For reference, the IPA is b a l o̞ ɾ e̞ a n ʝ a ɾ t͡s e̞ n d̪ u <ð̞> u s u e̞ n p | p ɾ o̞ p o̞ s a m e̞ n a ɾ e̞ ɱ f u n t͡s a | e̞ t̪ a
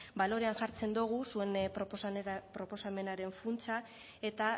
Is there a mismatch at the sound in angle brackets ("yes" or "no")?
yes